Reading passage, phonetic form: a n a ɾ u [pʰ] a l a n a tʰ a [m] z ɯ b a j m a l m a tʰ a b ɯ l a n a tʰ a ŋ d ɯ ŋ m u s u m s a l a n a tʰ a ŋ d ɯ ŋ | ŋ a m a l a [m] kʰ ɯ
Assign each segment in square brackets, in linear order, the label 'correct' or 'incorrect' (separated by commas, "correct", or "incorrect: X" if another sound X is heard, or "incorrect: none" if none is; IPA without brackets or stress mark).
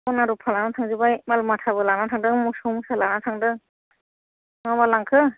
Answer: correct, incorrect: ŋ, incorrect: ŋ